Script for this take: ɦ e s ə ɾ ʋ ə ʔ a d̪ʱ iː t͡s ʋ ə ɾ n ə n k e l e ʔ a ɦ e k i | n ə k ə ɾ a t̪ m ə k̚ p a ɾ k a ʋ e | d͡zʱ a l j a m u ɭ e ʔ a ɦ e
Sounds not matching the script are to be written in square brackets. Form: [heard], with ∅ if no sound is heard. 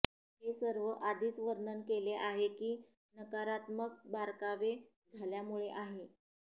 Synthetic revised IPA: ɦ e s ə ɾ ʋ ə ʔ a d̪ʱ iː t͡s ʋ ə ɾ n ə n k e l e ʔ a ɦ e k [iː] | n ə k [a] ɾ a t̪ m ə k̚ [b] a ɾ k a ʋ e | d͡zʱ a l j a m u ɭ e ʔ a ɦ e